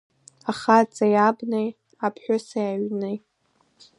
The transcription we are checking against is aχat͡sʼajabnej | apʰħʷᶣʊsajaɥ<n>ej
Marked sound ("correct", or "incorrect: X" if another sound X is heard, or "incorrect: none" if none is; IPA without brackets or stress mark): correct